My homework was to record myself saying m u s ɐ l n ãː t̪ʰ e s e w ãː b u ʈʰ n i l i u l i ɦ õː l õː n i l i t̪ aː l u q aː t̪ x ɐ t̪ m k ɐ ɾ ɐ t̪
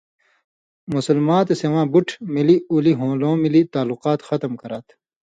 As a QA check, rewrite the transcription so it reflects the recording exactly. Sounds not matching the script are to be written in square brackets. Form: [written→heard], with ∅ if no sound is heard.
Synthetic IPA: m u s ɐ l [n→m] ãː [t̪ʰ→t̪] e s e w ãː b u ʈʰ [n→m] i l i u l i ɦ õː l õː [n→m] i l i t̪ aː l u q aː t̪ x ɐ t̪ m k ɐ ɾ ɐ t̪